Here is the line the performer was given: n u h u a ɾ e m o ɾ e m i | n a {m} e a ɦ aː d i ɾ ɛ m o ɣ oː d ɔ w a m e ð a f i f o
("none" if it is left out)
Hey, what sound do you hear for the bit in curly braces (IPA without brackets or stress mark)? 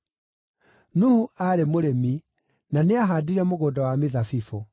n